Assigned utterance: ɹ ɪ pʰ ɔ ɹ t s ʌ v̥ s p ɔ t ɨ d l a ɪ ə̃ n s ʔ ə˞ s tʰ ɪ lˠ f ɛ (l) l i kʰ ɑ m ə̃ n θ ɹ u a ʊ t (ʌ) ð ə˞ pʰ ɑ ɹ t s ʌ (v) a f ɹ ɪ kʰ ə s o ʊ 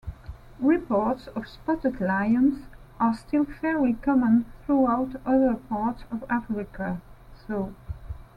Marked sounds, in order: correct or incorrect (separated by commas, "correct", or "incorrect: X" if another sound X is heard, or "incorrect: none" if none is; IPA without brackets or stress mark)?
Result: incorrect: ɹ, correct, correct